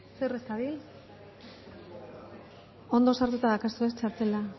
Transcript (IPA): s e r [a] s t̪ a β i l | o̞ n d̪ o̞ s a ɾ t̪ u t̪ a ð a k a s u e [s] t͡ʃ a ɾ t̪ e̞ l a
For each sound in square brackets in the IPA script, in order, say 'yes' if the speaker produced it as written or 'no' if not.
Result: no, yes

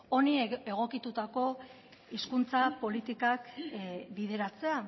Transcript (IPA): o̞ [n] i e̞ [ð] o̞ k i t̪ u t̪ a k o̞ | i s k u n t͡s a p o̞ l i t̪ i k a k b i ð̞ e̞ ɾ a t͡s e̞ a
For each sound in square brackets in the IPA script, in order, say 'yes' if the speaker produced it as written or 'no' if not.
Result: yes, no

